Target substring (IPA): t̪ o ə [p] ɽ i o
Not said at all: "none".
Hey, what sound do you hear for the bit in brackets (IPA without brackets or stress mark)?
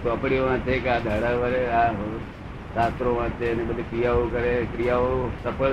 p